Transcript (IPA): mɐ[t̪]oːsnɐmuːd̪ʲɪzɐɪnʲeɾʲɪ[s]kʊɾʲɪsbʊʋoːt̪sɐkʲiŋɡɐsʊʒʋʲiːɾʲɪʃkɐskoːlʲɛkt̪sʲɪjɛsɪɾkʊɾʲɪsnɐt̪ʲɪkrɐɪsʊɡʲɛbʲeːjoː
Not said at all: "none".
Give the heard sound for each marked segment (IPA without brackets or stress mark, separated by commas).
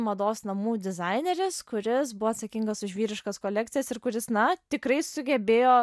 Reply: d̪, s